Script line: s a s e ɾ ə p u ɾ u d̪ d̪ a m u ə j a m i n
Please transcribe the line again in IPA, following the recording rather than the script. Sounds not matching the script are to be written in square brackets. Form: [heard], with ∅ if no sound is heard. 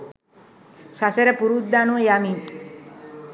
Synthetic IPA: s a s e ɾ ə p u ɾ u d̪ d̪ a [n] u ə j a m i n

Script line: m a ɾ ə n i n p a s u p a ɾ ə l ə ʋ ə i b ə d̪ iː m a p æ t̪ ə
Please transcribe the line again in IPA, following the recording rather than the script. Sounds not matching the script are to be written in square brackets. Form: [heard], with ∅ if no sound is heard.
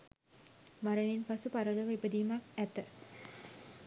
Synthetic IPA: m a ɾ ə n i n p a s u p a ɾ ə l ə ʋ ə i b ə d̪ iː m a [k] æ t̪ ə

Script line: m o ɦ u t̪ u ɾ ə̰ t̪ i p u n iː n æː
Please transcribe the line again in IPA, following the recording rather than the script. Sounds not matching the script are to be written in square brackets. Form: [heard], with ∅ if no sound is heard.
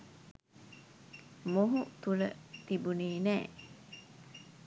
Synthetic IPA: m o ɦ u t̪ u [l] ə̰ t̪ i [b] u n iː n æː

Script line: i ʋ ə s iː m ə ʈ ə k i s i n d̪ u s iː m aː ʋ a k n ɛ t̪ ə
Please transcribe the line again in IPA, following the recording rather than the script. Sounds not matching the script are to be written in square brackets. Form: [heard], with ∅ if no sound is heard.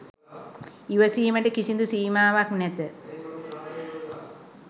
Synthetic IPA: i ʋ ə s iː m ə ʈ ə k i s i n d̪ u s iː m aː ʋ a k n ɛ t̪ ə

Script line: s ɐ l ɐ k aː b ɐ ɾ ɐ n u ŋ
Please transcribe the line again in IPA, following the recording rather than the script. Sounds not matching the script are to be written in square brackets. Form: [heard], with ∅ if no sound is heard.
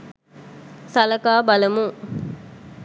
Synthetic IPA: s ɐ l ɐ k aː b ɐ [l] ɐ [m] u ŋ

